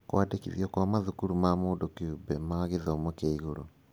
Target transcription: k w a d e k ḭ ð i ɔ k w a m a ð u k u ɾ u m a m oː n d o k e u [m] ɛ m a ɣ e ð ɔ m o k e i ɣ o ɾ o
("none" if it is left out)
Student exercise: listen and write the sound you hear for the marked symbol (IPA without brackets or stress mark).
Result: b